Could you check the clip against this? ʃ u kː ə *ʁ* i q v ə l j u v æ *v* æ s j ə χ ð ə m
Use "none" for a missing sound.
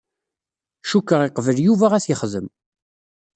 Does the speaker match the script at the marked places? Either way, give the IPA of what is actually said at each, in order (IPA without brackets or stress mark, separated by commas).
ʁ, ʁ